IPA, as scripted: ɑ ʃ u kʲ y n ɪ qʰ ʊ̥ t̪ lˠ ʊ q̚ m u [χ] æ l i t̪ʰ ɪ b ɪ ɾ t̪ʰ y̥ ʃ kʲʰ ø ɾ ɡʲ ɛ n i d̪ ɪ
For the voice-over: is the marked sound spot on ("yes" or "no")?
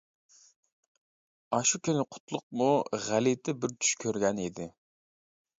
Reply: no